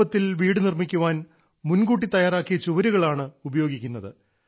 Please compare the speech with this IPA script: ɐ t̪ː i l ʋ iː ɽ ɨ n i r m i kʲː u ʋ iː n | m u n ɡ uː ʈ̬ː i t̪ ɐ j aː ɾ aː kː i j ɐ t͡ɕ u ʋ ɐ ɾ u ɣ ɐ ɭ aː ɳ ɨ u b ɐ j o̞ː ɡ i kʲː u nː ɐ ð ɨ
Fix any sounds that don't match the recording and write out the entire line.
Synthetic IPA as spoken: ɐ t̪ː i l ʋ iː ɽ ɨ n i r m i kʲː u ʋ aː n | m u n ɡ uː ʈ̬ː i t̪ ɐ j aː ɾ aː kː i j ɐ t͡ɕ u ʋ ɐ ɾ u ɣ ɐ ɭ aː ɳ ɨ u b ɐ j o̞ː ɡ i kʲː u nː ɐ ð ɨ